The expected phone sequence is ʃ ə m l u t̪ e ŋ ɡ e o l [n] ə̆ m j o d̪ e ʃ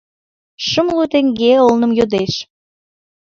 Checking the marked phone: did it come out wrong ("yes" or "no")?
no